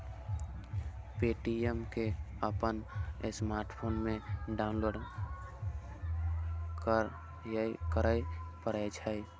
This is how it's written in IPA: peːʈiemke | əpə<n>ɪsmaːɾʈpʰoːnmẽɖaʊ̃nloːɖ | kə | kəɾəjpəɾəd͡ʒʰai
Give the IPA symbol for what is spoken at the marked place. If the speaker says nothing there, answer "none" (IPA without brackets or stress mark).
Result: n